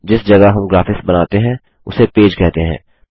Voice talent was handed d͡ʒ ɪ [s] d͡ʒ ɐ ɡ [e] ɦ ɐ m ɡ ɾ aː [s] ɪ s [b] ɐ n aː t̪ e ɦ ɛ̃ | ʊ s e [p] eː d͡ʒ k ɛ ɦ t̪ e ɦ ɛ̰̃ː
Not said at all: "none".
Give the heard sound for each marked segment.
s, a, f, b, p

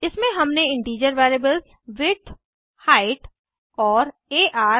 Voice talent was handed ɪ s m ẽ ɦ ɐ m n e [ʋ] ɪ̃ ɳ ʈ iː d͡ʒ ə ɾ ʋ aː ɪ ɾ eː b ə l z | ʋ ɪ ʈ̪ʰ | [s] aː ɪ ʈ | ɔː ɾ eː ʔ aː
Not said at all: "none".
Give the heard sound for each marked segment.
none, h

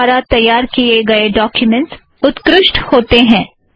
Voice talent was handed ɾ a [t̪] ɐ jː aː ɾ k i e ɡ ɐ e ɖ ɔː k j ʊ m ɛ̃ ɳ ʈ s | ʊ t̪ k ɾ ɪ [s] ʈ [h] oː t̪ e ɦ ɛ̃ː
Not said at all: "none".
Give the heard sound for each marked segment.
t̪, ʃ, h

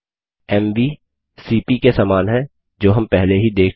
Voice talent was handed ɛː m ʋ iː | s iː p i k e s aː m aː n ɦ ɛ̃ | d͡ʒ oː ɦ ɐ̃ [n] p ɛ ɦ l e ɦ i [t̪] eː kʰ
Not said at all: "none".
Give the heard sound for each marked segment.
m, d̪

